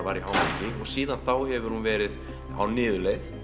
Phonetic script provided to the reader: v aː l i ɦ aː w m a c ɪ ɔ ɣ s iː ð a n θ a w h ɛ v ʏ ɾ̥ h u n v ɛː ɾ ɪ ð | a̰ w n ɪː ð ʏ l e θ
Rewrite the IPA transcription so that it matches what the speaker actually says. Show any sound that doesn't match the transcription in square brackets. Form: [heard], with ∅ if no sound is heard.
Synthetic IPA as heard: v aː [ɾ] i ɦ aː w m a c ɪ ɔ ɣ s iː ð a n θ a w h ɛ v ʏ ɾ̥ h u n v ɛː ɾ ɪ ð | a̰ w n ɪː ð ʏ l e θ